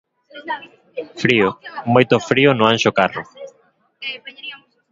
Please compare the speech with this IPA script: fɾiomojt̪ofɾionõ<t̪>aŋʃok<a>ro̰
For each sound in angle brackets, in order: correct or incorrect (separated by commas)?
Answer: incorrect, correct